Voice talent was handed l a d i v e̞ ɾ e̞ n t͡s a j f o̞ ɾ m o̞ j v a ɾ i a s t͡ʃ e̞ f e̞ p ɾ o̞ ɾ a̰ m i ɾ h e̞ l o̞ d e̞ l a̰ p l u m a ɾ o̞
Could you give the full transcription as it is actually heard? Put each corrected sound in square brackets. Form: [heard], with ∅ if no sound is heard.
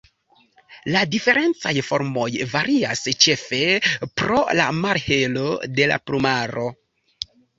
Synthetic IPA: l a d i [f] e̞ ɾ e̞ n t͡s a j f o̞ ɾ m o̞ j v a ɾ i a s t͡ʃ e̞ f e̞ p ɾ o̞ [l] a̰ m [a] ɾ h e̞ l o̞ d e̞ l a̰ p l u m a ɾ o̞